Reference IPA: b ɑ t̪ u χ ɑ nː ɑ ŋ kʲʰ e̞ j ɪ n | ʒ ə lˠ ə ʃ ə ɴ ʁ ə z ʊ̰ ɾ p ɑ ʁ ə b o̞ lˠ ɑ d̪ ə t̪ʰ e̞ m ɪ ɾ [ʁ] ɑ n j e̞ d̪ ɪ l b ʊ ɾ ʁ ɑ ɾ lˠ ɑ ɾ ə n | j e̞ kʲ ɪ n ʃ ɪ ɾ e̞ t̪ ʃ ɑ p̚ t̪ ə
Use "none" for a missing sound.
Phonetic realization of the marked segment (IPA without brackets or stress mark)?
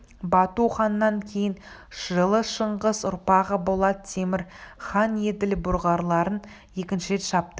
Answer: χ